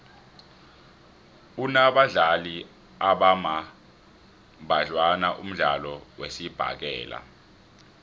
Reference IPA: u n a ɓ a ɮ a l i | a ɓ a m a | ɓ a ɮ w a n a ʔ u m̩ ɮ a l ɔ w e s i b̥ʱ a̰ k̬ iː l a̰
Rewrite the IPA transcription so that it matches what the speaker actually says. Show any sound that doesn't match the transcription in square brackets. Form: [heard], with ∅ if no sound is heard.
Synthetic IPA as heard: u n a ɓ a ɮ a l i | a ɓ a m a | ɓ a ɮ w a n a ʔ u m̩ ɮ a l ɔ w e s i b̥ʱ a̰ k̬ [ɛː] l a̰